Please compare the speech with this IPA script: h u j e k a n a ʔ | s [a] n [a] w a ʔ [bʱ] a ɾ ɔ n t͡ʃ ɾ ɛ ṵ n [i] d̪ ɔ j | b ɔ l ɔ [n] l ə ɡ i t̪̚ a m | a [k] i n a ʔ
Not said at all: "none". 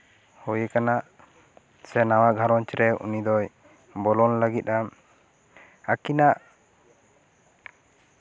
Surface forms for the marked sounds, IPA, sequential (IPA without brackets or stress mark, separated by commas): ɛ, a, ɡʱ, i, n, k